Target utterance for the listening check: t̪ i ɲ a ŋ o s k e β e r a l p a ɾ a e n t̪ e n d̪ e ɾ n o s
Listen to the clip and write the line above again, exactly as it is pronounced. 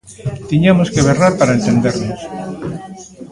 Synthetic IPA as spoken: t̪ i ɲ a m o s k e β e r a ɾ p a ɾ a e n t̪ e n d̪ e ɾ n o s